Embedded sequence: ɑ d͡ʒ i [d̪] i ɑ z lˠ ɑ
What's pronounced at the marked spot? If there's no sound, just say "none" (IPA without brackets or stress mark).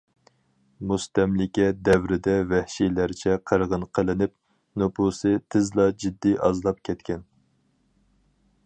d̪ː